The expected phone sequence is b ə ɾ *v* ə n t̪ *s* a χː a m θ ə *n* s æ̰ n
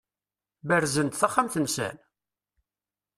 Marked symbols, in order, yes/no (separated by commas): no, no, yes